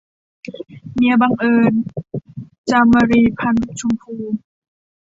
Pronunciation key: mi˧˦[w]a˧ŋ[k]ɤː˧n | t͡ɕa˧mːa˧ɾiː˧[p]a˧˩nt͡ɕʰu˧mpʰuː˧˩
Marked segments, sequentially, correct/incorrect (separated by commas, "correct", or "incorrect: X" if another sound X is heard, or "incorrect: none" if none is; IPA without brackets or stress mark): incorrect: b, incorrect: ʔ, incorrect: pʰ